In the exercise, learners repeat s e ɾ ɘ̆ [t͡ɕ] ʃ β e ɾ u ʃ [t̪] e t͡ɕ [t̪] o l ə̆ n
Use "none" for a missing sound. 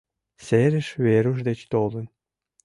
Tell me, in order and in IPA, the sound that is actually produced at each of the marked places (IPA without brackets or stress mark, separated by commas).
none, d̪, t̪